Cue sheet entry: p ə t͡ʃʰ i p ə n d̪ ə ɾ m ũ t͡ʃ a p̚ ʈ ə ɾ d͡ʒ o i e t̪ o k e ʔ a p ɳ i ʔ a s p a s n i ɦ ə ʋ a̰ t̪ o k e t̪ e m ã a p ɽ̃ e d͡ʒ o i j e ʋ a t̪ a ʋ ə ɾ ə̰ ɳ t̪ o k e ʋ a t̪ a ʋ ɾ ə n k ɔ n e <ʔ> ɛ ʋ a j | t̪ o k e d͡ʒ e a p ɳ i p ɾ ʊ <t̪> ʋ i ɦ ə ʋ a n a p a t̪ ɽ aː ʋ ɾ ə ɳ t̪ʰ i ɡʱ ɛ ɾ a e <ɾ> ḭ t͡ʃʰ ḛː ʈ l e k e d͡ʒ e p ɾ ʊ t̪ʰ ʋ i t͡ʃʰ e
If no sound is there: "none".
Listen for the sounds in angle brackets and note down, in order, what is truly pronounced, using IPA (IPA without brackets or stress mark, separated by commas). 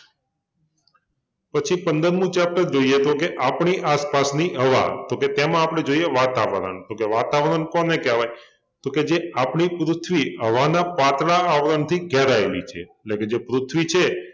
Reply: k, t̪ʰ, l